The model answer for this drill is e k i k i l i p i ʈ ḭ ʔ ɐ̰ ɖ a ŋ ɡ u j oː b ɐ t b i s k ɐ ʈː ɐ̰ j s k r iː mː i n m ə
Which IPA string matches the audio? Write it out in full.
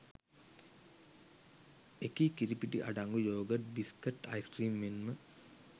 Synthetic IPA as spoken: e k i k i ɾ i p i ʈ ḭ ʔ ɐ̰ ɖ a ŋ ɡ u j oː ɡ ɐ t b i s k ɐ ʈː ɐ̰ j s k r iː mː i n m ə